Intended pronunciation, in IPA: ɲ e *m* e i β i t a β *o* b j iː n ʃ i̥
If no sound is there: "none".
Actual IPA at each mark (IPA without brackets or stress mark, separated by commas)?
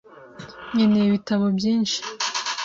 n, o